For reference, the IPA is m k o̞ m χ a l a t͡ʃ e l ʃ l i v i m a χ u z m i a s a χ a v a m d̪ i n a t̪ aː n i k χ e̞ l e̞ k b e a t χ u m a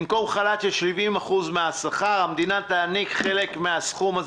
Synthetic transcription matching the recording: m k o̞ m χ a l a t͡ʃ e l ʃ l i v i m a χ u z m e a s a χ a ʁ a m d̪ i n a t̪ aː n i k χ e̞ l e̞ k m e a s χ u m a